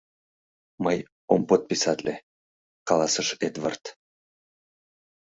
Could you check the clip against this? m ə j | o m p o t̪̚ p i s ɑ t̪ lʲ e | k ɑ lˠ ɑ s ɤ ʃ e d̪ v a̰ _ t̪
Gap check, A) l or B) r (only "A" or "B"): B